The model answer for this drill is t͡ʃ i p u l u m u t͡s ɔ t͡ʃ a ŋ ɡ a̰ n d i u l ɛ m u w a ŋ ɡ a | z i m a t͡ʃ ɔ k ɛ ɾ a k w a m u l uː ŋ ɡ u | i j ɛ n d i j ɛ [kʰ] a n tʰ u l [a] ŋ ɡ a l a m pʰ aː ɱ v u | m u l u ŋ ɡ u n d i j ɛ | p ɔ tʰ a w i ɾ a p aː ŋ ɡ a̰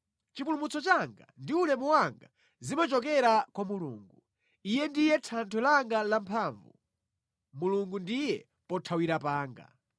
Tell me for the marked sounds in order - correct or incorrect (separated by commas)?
incorrect, correct